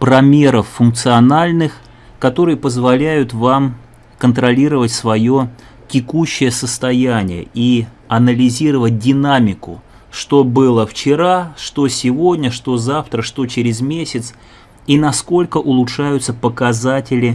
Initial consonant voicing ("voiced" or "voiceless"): voiceless